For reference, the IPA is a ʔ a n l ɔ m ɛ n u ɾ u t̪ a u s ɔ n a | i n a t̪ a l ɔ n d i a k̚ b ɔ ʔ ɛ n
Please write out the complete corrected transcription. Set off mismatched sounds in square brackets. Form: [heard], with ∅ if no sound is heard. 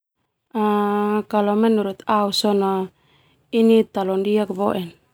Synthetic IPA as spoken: a [k] a [∅] l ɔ m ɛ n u ɾ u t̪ a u s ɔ n a | i n [i] t̪ a l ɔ n d i a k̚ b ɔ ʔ ɛ n